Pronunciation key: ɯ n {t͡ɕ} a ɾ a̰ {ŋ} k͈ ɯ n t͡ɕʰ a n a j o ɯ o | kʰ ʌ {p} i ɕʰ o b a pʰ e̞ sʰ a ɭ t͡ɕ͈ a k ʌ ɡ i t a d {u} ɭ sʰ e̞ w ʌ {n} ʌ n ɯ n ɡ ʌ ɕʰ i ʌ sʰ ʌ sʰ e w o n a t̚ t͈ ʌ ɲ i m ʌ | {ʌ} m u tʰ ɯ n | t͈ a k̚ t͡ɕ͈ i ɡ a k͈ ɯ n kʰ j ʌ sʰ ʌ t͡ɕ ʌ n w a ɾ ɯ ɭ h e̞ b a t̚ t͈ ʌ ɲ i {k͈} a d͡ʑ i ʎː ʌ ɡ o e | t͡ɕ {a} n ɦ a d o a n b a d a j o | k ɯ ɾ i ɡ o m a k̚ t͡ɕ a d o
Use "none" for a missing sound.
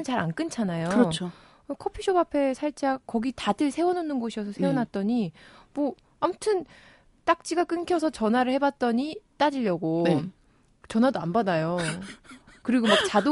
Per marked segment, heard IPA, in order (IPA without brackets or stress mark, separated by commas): t͡ɕ, n, pʰ, ɯ, n, a, t͈, ʌ